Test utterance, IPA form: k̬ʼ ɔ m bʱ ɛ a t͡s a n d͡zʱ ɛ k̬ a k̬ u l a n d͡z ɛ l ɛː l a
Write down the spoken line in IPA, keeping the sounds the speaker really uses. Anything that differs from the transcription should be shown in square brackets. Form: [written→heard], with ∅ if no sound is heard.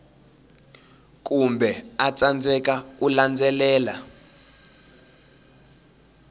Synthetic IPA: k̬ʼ [ɔ→u] m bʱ ɛ a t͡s a n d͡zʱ ɛ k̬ a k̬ u l a n d͡z ɛ l ɛː l a